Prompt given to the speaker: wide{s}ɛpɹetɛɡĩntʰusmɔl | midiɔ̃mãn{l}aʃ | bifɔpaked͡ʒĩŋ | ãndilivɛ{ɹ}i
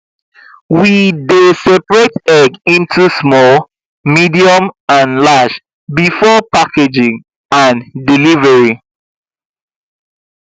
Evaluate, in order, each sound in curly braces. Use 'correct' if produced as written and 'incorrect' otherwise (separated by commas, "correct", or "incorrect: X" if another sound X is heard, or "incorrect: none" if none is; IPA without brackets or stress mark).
correct, correct, correct